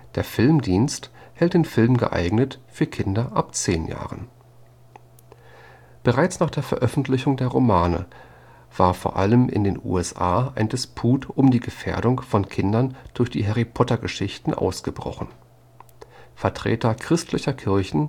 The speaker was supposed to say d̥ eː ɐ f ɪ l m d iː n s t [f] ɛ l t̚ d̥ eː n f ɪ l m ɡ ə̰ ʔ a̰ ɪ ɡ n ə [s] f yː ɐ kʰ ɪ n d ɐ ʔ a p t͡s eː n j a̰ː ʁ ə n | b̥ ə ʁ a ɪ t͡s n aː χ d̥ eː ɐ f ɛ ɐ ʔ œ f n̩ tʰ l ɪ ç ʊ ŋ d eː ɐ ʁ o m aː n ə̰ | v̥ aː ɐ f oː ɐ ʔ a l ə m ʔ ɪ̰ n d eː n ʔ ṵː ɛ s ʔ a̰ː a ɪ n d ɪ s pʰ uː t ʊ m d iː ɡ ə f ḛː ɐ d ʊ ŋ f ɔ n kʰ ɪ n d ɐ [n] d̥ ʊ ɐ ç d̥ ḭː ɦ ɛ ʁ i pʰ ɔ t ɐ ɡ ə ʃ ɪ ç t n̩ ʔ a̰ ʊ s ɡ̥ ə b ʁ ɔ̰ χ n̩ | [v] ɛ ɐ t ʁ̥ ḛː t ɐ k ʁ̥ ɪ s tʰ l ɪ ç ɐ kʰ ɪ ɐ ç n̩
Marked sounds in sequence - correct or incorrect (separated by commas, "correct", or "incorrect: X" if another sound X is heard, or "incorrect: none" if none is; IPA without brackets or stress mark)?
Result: incorrect: h, incorrect: t, correct, incorrect: f